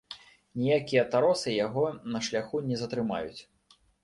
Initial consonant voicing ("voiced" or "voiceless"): voiced